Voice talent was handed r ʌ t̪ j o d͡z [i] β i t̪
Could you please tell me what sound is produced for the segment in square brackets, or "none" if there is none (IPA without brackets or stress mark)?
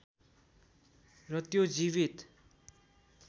i